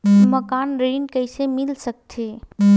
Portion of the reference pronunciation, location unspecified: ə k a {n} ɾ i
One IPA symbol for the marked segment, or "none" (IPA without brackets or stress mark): n